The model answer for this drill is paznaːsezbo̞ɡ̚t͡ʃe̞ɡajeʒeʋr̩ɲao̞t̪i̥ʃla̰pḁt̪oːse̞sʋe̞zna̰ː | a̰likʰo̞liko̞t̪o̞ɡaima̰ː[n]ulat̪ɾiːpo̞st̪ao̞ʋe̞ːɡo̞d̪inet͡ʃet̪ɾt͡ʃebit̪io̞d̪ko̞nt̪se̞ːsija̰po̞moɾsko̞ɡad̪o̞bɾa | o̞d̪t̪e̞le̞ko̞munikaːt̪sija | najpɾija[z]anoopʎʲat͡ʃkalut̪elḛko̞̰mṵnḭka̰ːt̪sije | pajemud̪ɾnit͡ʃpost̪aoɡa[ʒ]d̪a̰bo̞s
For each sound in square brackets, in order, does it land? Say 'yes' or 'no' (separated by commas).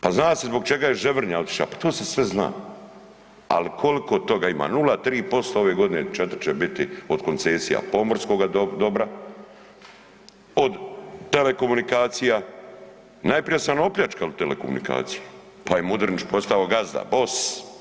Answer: yes, no, no